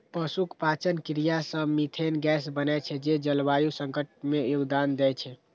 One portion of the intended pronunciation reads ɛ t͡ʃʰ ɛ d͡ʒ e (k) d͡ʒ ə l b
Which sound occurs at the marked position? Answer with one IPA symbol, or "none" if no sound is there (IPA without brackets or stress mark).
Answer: none